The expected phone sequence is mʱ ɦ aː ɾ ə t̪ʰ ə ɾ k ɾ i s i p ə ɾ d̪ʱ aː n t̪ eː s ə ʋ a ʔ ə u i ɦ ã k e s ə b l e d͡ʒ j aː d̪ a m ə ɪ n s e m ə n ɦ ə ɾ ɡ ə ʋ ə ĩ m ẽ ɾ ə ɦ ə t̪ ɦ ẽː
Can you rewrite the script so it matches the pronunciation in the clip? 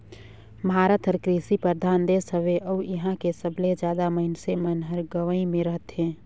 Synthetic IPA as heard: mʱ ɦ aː ɾ ə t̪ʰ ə ɾ k ɾ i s i p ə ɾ d̪ʱ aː n d̪ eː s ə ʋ e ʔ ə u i ɦ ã k e s ə b l e d͡ʒ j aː d̪ a m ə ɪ n s e m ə n ɦ ə ɾ ɡ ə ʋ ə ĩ m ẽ ɾ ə ɦ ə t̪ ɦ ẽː